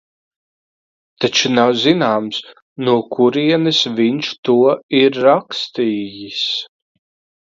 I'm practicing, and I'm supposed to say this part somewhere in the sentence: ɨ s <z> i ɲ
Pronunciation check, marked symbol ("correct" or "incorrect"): incorrect